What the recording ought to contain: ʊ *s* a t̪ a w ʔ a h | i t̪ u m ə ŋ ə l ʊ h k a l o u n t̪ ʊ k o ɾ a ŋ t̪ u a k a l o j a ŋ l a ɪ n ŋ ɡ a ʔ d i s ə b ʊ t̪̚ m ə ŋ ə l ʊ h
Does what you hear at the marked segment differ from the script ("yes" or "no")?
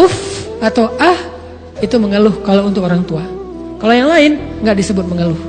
yes